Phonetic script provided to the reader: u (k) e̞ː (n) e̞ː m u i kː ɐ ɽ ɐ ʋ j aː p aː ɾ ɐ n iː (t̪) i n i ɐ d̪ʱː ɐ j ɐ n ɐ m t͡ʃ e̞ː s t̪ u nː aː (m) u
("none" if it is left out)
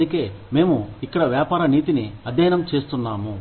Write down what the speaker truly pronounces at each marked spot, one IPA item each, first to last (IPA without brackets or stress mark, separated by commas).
k, m, t̪, m